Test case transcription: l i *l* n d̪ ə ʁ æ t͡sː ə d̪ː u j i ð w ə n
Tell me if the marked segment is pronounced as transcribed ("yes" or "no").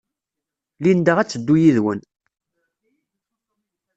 no